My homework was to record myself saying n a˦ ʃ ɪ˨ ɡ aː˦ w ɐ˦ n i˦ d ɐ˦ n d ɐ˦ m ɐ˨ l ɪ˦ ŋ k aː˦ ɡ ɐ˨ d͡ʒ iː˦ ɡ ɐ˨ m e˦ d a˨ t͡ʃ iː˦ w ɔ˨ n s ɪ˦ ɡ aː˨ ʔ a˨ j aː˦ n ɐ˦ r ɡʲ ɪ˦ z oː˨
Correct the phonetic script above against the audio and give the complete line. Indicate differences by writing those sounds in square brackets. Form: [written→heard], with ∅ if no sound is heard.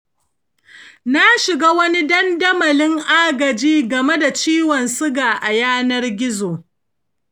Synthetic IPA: n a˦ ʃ ɪ˨ ɡ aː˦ w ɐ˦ n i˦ d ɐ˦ n d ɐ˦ m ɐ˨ l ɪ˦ ŋ [k→ʔ] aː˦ ɡ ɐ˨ d͡ʒ iː˦ ɡ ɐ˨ m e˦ d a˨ t͡ʃ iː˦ w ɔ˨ n s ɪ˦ ɡ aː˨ ʔ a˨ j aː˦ n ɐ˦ r ɡʲ ɪ˦ z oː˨